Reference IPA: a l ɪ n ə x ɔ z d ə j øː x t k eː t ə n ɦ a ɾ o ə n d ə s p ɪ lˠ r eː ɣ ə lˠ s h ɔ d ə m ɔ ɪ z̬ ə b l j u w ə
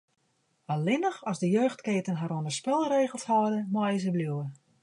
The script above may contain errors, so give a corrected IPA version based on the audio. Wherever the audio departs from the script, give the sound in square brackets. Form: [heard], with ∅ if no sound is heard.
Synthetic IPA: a l ɪ n ə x ɔ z d ə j øː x t k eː t ə n ɦ a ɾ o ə n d ə s p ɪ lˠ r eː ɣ ə lˠ s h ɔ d ə m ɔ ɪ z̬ ə b l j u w ə